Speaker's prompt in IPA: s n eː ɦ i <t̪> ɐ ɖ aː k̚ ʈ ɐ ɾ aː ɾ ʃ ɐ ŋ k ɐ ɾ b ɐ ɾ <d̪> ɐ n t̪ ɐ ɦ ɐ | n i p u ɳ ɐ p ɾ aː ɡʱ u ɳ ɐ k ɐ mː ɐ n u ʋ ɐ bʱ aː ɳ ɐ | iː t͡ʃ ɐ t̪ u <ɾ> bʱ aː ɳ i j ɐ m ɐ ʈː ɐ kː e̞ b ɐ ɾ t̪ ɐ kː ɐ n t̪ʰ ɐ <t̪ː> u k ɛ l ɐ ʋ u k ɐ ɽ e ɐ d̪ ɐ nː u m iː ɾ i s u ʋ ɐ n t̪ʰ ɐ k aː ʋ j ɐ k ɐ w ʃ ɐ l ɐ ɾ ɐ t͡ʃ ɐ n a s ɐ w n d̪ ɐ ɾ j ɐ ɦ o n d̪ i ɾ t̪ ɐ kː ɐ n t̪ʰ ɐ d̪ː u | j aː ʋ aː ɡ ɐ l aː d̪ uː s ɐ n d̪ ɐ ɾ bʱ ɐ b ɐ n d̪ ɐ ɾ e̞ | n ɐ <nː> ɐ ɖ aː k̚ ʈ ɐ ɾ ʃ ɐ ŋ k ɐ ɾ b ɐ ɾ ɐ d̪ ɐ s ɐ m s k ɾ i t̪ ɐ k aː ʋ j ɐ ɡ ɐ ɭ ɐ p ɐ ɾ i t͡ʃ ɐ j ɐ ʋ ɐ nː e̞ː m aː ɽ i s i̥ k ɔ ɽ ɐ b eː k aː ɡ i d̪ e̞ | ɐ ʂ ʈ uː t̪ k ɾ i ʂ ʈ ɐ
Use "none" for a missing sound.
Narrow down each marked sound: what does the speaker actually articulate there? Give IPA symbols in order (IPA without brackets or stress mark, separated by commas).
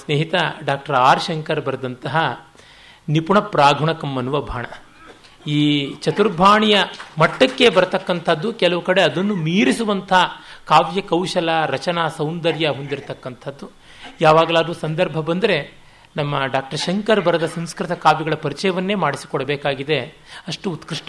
t̪, d̪, ɾ, d̪ː, mː